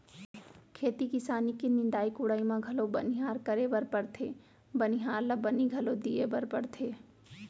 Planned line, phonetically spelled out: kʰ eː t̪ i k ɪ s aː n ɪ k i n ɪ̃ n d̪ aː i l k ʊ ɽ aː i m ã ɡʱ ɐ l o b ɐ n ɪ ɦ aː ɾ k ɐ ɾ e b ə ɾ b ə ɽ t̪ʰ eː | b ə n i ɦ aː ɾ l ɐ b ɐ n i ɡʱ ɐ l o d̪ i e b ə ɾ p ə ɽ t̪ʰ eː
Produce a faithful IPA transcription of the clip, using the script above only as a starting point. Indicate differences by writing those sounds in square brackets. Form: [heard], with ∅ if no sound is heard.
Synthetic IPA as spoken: kʰ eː t̪ i k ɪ s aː n [i] k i n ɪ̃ n d̪ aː i [∅] k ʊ ɽ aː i m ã ɡʱ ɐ l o b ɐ n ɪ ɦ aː ɾ k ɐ ɾ e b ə ɾ [p] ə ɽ t̪ʰ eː | b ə n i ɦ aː ɾ l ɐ b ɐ n i ɡʱ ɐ l o d̪ i e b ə ɾ p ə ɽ t̪ʰ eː